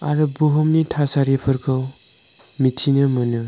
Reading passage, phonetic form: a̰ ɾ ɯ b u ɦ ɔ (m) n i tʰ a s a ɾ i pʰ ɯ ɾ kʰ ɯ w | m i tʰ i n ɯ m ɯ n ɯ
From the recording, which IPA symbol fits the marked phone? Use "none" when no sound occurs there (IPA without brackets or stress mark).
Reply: m